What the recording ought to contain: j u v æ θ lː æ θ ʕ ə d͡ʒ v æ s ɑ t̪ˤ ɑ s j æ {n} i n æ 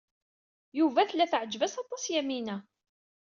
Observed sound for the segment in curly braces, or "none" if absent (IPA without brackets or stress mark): m